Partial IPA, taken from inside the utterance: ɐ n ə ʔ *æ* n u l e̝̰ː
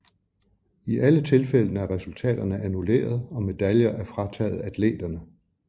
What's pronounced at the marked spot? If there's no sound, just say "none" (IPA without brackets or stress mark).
æ